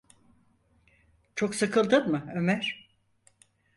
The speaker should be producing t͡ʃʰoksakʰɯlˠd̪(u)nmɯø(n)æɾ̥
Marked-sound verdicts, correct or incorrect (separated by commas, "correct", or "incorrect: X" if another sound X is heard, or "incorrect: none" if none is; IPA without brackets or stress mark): incorrect: ɯ, incorrect: m